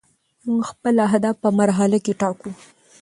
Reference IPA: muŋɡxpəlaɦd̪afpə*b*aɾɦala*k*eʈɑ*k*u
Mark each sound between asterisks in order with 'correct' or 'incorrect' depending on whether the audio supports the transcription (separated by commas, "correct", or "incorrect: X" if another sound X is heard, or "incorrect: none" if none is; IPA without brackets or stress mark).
incorrect: m, correct, correct